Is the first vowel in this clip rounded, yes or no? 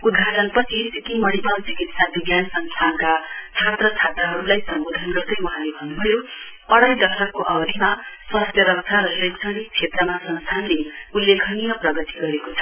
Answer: yes